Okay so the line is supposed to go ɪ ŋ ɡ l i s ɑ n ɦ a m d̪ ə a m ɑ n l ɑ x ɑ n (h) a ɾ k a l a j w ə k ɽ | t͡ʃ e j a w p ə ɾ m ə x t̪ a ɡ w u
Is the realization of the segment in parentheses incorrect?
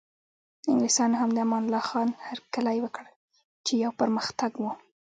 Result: no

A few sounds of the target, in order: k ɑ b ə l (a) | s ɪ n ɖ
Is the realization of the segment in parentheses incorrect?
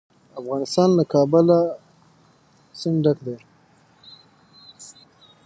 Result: no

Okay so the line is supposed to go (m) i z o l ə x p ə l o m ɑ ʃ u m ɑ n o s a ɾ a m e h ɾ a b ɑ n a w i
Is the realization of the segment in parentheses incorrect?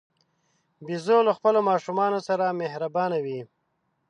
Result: yes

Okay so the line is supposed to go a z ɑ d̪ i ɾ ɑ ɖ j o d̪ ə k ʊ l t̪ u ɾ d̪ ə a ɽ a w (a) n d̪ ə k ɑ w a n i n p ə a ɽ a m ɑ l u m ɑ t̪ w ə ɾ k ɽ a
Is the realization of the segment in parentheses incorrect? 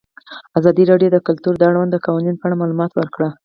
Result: no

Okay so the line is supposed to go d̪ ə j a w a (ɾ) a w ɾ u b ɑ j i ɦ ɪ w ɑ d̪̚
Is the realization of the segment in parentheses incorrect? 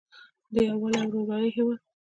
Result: yes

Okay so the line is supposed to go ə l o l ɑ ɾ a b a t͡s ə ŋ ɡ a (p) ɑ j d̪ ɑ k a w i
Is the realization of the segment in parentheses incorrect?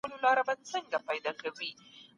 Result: no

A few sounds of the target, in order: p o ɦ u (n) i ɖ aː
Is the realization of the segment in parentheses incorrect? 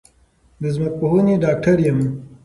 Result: no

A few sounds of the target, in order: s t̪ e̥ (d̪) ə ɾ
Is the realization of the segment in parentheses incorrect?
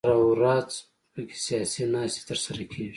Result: yes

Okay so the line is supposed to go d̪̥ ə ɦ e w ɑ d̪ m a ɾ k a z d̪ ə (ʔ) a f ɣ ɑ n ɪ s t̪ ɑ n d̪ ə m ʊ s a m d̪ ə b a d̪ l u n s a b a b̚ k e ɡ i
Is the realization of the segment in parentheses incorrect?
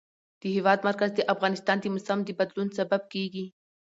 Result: no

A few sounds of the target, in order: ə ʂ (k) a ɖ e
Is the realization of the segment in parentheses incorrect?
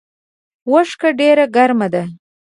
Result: no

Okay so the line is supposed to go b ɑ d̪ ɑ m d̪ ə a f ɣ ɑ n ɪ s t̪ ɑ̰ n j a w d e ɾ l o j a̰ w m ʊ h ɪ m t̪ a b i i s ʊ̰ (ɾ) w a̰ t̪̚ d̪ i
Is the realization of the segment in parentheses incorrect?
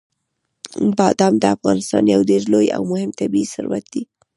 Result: no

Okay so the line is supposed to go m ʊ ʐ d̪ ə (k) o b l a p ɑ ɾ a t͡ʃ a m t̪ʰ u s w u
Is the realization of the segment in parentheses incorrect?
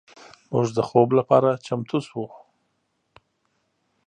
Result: yes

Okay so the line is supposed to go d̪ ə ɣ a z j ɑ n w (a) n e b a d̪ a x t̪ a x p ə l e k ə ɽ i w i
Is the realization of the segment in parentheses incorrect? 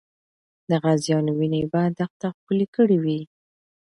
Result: yes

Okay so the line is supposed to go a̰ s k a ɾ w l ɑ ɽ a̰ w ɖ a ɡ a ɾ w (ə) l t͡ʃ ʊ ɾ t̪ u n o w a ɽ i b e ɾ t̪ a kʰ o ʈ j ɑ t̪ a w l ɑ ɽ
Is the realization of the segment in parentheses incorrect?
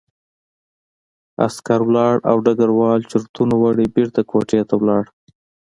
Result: yes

